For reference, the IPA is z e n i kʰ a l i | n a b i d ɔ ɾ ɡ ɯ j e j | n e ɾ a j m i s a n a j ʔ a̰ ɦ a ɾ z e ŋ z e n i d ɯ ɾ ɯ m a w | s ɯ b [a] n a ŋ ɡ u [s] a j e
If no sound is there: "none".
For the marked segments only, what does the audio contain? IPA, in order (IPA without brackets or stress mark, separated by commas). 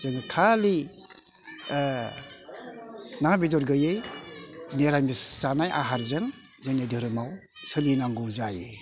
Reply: i, z